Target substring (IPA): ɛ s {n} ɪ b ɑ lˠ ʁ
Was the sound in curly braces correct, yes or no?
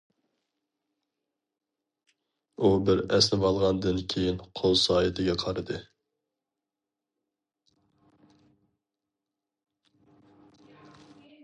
yes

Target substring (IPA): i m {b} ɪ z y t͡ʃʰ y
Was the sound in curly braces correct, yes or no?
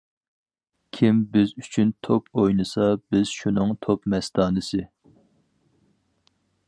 yes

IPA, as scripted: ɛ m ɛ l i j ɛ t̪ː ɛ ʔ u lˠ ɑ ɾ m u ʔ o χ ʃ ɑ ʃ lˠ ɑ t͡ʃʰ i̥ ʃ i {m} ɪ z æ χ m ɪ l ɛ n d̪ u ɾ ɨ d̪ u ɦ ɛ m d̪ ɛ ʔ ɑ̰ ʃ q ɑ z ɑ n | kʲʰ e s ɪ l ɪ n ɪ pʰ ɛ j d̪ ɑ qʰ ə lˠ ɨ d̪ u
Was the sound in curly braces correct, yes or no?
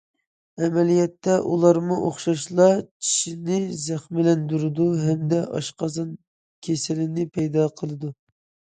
no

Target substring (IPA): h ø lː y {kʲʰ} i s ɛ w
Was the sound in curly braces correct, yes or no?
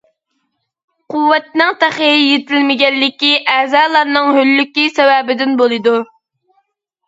no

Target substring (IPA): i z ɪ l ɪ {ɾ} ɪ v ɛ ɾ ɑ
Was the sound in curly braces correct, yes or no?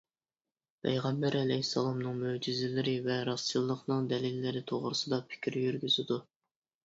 yes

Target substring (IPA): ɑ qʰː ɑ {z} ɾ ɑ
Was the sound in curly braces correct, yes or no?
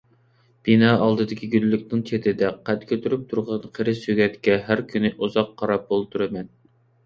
no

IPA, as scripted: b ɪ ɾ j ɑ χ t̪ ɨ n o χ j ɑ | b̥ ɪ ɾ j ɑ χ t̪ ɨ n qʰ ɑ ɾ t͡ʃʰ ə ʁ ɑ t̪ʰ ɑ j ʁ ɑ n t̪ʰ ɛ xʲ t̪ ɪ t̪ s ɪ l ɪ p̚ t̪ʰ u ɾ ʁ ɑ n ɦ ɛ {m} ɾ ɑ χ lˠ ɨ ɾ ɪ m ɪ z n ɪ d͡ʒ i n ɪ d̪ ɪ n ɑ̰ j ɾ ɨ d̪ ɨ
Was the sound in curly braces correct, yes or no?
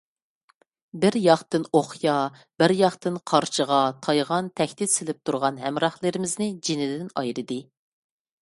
yes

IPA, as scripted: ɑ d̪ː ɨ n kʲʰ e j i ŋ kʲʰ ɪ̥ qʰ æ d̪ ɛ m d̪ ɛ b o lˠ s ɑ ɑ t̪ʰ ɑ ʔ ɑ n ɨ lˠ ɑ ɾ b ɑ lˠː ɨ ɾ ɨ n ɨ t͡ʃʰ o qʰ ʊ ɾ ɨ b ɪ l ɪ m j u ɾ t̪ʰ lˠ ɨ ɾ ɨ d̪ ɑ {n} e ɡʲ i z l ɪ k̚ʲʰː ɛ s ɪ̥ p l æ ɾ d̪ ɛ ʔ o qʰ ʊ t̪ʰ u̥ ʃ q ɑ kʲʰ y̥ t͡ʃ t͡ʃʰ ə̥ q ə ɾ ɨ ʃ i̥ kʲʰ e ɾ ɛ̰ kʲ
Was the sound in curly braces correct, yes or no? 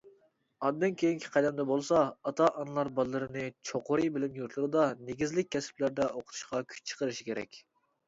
yes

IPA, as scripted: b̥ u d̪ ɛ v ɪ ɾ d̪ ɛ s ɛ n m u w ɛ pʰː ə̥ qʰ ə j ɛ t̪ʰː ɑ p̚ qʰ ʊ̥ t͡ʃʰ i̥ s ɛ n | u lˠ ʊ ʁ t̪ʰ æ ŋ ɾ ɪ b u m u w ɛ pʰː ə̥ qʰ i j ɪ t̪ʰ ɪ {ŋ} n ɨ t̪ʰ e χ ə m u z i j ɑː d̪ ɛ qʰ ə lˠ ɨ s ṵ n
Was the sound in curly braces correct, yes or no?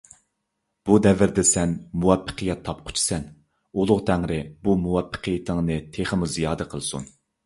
yes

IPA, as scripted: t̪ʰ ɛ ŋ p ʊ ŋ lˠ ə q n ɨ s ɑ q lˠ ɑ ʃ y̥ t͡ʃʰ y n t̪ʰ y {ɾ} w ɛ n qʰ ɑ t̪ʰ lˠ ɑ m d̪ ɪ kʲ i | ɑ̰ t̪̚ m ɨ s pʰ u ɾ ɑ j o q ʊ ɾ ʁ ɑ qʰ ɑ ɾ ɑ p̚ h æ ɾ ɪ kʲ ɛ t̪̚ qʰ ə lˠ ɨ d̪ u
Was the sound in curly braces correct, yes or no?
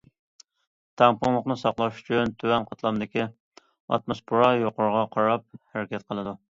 no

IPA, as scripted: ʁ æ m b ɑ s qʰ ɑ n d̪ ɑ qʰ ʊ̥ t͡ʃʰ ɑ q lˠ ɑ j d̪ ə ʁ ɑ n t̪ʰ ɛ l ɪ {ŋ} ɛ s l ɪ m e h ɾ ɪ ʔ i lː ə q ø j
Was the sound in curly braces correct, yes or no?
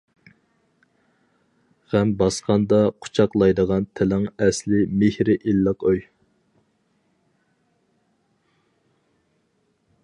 yes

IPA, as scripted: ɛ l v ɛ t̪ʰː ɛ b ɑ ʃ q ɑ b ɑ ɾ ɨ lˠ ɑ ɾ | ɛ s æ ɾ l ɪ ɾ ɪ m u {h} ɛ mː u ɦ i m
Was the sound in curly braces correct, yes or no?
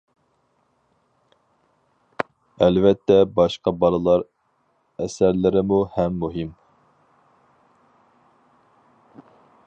yes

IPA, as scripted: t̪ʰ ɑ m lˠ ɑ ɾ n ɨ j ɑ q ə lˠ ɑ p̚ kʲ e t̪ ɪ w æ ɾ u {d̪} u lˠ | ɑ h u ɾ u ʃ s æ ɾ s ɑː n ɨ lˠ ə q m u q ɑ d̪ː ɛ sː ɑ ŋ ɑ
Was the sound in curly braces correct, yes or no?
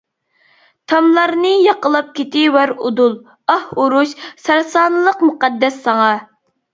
yes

